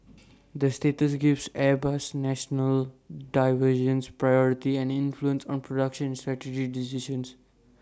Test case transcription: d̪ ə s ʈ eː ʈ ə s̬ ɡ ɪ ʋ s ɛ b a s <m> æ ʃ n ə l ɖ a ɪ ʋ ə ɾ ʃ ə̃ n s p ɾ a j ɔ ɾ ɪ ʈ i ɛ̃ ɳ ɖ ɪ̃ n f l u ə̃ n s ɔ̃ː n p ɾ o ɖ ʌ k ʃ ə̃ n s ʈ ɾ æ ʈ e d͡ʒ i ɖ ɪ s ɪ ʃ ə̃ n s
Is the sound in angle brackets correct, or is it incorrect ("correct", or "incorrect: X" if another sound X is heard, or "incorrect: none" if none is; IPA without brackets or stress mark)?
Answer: incorrect: n